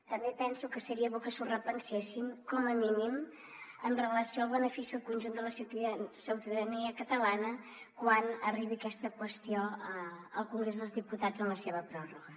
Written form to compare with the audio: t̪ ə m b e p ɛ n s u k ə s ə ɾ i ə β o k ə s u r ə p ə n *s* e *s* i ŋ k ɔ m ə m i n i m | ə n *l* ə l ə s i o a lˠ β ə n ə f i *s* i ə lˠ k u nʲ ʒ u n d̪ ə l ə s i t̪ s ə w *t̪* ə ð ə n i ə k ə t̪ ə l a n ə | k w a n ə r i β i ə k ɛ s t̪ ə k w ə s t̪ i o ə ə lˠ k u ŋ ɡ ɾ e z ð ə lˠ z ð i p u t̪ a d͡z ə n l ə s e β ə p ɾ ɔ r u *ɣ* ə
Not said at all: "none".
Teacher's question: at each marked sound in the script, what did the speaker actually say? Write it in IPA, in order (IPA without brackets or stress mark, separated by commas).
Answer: s, s, r, s, t̪, ɣ